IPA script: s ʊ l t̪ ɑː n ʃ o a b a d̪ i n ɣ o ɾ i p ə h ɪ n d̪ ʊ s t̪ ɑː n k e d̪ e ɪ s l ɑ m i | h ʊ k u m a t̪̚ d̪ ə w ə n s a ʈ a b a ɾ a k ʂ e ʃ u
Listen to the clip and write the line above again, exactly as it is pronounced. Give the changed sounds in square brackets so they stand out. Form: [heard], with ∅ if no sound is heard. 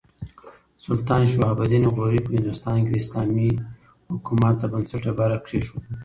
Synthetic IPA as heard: s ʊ l t̪ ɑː n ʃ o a b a d̪ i n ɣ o ɾ i p ə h ɪ n d̪ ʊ s t̪ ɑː n k e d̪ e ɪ s l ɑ m i | h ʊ k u m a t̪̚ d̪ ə [b] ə n s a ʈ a b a ɾ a k ʂ e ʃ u